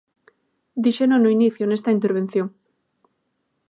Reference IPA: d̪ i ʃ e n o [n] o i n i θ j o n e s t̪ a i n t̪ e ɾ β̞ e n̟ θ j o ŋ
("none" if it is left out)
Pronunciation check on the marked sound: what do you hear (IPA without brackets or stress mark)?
n